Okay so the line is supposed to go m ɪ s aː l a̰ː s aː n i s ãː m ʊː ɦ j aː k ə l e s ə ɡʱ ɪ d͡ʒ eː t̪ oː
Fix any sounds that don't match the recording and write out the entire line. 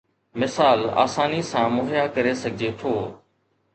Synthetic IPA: m ɪ s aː l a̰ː s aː n i s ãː m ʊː ɦ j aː k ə ɾ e s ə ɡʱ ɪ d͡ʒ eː t̪ʰ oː